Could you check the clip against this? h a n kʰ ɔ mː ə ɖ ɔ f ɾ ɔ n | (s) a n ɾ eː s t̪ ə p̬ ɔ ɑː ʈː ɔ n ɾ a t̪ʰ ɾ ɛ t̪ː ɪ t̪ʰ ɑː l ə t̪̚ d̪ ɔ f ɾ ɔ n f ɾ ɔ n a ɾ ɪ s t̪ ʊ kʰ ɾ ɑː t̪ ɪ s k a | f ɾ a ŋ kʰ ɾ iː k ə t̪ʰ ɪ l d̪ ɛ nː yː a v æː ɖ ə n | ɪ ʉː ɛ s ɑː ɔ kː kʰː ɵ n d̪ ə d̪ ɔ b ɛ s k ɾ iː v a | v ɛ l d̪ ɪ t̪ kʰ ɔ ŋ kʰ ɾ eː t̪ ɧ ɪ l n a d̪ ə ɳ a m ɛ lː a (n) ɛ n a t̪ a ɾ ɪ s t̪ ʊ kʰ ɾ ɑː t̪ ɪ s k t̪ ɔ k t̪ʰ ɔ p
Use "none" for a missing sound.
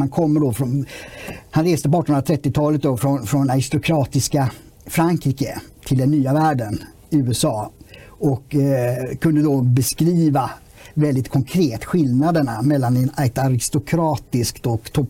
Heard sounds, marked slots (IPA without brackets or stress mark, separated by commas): h, n